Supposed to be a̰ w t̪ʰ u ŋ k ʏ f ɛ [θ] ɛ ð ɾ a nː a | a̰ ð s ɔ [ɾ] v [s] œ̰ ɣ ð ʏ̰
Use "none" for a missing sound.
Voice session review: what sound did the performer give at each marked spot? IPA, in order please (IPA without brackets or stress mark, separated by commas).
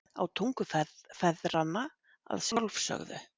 f, l, s